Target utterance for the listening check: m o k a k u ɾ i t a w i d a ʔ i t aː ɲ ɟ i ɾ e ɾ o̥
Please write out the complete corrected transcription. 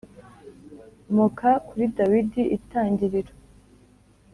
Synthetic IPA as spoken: m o k a k u ɾ i d a w i d i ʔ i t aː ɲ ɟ i ɾ i ɾ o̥